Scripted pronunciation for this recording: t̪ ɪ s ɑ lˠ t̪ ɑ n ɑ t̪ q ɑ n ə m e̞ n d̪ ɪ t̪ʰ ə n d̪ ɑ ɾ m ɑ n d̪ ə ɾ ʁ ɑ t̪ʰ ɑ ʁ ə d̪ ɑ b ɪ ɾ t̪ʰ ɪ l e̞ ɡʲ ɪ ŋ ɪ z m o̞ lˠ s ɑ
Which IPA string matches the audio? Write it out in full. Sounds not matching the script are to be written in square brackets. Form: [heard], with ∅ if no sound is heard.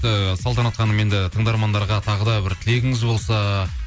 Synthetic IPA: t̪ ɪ s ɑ lˠ t̪ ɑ n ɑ t̪ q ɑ n ə m e̞ n d̪ ɪ t̪ʰ ə [ɴ] d̪ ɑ ɾ m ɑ n d̪ [ɑ] ɾ ʁ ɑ t̪ʰ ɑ ʁ ə d̪ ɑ b ɪ ɾ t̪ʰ ɪ l e̞ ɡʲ ɪ ŋ ɪ z [b] o̞ lˠ s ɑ